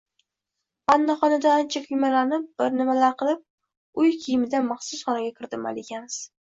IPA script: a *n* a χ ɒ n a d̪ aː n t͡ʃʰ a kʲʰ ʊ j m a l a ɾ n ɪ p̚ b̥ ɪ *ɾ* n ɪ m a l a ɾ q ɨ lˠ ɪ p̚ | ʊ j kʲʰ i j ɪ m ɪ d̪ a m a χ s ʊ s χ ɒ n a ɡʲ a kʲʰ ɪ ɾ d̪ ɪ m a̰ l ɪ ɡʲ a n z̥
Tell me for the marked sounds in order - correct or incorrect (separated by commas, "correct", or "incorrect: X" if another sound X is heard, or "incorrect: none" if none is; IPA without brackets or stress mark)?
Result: incorrect: nː, correct